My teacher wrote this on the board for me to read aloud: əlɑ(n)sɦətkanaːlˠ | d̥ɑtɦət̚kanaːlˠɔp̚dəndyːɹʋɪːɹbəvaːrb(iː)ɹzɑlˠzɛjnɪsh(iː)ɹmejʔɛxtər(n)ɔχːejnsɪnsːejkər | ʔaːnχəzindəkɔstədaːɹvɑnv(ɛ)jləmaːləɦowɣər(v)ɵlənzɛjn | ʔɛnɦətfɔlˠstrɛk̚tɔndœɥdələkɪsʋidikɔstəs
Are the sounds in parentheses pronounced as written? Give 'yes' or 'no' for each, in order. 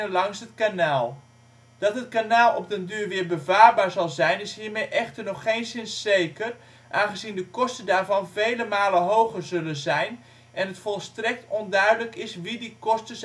no, no, yes, yes, no, no

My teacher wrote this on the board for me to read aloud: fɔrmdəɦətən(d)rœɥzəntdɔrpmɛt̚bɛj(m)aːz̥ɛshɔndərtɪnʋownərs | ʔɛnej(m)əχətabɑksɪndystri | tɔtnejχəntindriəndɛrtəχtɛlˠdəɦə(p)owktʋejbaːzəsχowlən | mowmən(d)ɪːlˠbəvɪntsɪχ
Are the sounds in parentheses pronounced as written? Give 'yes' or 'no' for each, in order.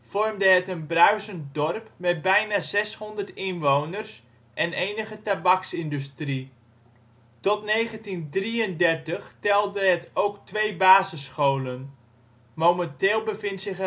no, no, no, no, no

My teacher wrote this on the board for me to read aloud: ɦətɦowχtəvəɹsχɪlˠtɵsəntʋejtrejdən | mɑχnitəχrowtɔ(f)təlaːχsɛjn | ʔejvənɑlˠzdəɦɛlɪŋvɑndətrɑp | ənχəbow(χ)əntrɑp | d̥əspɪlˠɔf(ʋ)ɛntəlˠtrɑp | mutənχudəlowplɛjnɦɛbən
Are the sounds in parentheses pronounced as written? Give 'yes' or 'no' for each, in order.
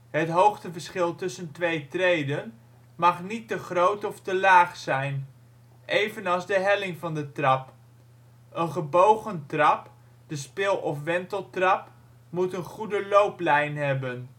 yes, yes, yes

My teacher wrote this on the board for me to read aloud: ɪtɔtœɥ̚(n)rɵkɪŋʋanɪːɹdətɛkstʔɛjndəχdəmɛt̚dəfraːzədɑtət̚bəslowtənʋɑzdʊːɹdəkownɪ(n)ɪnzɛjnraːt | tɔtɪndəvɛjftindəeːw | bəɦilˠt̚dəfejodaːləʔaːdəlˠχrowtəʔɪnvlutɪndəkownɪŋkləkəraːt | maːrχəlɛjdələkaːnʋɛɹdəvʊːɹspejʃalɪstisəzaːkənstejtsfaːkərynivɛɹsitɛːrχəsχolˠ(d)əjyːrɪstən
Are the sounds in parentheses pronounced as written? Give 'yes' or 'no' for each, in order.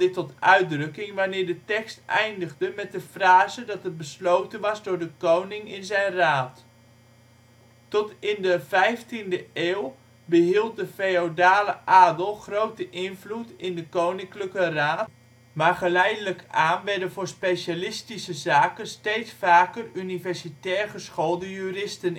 no, no, yes

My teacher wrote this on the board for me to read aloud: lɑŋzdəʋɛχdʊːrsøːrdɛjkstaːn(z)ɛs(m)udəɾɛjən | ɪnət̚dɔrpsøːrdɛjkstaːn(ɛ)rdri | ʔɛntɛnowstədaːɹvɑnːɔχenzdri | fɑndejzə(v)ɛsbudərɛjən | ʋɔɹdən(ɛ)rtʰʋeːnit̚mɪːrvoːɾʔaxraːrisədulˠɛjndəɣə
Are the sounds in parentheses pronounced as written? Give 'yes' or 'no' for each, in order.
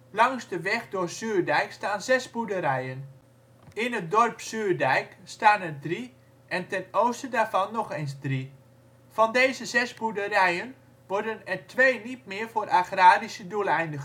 yes, no, yes, no, yes

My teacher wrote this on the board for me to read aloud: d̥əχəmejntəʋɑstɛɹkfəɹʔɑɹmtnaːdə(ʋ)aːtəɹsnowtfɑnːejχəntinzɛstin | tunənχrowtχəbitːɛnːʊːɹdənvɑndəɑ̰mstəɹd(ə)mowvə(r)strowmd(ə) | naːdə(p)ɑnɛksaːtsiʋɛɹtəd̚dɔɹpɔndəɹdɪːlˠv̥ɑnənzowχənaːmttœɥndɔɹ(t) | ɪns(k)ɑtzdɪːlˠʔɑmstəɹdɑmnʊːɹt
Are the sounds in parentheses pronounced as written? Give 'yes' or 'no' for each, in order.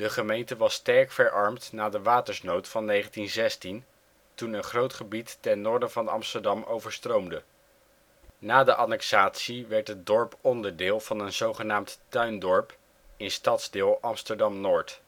yes, no, no, yes, no, no, no

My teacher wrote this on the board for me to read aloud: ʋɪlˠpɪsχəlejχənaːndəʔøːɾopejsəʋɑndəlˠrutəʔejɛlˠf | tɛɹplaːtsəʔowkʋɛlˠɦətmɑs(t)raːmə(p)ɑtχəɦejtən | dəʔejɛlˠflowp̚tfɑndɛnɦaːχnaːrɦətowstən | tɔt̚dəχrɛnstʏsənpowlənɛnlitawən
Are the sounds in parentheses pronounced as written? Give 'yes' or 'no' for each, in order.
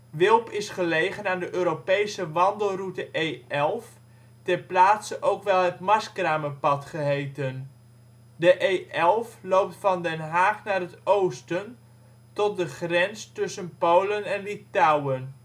no, yes

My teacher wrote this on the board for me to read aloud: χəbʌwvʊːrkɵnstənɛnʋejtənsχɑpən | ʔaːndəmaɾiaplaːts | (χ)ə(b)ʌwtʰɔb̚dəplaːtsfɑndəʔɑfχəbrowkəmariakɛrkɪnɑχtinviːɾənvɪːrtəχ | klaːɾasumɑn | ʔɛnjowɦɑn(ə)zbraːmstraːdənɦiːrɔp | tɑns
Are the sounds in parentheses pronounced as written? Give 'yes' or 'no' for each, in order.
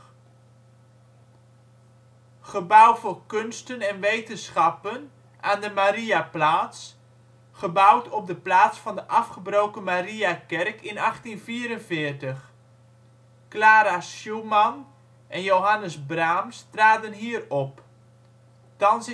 yes, yes, yes

